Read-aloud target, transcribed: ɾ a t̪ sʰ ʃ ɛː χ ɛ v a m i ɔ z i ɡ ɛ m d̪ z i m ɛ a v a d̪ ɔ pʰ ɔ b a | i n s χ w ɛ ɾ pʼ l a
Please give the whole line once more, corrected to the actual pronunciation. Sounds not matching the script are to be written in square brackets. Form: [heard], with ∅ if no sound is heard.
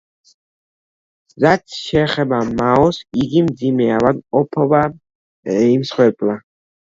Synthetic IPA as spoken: ɾ a t̪ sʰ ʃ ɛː χ ɛ [b] a m [a] ɔ [s] i ɡ [i] m d̪ z i m ɛ a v a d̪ ɔ pʰ ɔ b a | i [m] s χ w ɛ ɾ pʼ l a